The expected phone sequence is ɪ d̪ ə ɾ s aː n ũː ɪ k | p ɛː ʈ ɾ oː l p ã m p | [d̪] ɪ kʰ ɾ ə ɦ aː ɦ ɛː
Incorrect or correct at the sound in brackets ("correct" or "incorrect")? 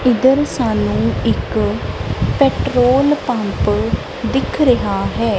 correct